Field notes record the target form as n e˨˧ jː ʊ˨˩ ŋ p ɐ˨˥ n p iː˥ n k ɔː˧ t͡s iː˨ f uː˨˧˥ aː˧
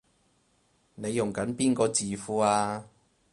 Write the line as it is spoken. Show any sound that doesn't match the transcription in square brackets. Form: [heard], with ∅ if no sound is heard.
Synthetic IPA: n e˨˧ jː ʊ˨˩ ŋ [k] ɐ˨˥ n p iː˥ n k ɔː˧ t͡s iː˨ f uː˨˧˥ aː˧